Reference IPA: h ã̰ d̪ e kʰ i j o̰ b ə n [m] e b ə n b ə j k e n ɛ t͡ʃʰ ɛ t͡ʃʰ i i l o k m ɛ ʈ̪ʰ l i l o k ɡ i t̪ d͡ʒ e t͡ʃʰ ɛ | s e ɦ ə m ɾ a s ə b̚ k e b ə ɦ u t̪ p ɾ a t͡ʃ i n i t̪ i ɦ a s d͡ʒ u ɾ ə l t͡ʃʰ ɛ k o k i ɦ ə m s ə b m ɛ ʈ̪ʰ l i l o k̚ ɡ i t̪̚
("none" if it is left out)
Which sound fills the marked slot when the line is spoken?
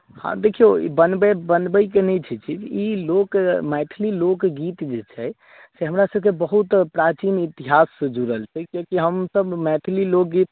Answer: b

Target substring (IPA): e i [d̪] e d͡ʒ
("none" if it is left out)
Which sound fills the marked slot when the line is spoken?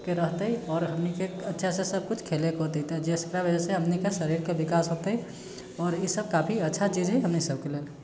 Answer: t̪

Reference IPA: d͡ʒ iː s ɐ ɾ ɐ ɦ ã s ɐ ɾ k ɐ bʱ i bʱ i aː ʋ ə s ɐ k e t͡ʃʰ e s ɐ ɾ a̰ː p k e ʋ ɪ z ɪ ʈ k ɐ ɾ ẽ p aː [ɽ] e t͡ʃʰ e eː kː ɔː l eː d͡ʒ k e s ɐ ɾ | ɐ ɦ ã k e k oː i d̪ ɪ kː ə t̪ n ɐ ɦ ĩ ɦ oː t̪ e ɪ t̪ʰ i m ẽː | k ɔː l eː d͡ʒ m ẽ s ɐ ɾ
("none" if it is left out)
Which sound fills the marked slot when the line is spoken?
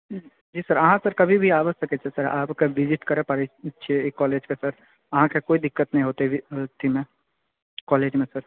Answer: ɾ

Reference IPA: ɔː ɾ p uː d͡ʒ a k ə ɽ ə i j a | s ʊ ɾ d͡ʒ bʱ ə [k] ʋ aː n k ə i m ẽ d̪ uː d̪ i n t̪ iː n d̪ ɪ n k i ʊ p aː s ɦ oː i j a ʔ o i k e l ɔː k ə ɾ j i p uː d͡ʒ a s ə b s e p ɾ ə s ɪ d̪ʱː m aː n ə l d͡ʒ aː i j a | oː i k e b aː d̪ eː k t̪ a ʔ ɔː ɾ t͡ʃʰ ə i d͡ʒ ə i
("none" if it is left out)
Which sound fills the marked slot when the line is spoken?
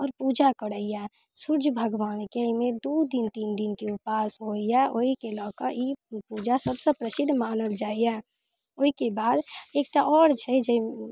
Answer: ɡ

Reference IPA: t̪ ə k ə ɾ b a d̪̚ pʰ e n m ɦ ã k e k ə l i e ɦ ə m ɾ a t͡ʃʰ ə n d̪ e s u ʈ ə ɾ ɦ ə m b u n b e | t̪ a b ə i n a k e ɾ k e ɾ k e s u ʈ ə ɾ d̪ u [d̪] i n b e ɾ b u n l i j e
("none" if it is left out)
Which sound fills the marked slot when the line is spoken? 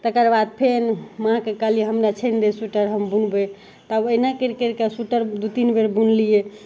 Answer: t̪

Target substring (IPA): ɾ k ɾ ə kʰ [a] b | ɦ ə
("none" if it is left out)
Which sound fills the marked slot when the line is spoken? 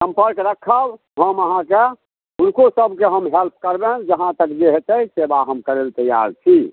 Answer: ə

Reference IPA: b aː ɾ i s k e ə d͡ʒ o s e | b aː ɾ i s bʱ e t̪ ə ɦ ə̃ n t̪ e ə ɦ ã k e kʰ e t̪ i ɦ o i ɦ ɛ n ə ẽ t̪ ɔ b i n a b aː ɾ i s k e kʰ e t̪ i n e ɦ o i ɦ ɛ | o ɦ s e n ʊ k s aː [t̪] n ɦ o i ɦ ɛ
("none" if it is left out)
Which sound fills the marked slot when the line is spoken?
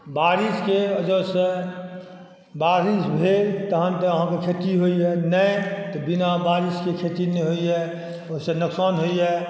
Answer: none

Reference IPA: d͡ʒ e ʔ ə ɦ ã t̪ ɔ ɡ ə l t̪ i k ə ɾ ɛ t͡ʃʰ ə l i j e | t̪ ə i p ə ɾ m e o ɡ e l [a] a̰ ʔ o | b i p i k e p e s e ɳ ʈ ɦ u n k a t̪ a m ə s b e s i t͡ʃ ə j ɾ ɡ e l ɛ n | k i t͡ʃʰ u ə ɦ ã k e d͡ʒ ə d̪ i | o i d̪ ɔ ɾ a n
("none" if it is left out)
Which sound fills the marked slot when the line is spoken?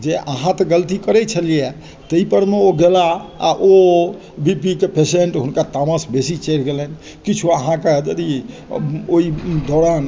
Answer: a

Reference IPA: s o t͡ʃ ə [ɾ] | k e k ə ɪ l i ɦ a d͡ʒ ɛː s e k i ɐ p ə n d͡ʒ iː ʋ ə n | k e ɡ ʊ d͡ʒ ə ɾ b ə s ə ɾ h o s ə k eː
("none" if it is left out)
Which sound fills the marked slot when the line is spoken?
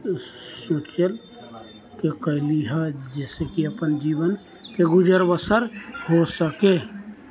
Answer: l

